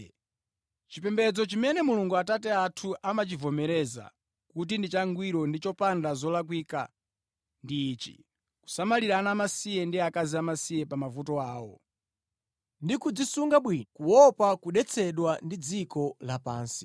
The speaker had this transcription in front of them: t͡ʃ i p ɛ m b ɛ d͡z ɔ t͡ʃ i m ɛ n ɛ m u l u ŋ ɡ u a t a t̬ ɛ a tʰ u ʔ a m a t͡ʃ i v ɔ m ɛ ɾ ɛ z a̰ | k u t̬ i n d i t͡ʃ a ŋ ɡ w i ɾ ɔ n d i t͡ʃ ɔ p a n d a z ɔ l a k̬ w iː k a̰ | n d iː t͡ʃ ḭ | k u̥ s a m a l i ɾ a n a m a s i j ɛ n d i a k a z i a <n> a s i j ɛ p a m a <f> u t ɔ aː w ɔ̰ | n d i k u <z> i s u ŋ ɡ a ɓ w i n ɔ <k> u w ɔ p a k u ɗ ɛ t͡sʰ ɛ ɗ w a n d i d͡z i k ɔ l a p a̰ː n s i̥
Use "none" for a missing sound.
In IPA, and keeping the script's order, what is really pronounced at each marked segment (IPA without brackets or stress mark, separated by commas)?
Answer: m, v, d͡z, k